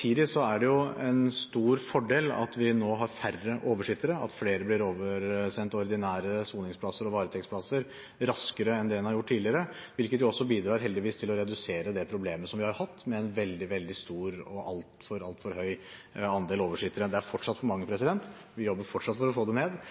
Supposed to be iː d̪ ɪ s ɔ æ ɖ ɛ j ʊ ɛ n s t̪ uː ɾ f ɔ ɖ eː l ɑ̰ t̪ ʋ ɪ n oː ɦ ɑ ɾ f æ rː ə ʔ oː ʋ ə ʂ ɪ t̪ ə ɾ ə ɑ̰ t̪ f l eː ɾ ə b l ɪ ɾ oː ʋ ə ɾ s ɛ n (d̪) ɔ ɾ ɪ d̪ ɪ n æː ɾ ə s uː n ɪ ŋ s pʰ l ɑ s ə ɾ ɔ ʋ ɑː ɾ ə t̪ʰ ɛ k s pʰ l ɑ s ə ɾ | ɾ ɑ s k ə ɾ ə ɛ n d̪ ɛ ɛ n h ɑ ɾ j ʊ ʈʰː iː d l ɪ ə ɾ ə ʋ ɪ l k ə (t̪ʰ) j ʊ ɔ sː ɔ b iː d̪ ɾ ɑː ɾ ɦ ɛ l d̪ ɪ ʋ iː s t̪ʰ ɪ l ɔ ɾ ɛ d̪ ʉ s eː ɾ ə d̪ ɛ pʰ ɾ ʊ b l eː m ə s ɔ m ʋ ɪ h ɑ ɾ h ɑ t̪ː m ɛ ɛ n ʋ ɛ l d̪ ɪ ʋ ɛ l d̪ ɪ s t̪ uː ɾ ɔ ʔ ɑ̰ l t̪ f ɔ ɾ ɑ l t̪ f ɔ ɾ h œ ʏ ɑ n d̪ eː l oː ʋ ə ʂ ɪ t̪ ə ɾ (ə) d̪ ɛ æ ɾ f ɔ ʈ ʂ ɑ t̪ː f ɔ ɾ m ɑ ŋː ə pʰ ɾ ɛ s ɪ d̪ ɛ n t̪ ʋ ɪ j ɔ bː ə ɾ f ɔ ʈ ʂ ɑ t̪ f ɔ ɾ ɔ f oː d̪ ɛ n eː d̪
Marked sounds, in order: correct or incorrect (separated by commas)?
incorrect, incorrect, correct